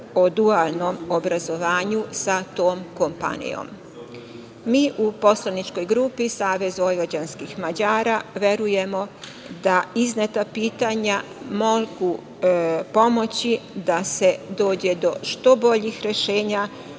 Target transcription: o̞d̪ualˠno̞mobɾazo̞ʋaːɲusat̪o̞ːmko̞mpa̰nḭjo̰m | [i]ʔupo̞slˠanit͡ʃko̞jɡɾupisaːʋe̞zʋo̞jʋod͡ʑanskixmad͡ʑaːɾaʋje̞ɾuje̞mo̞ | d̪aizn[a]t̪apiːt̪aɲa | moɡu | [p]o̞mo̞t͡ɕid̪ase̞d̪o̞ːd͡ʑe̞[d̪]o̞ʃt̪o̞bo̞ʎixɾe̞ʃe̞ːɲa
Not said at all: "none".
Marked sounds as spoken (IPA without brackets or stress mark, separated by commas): iː, e, p, d̪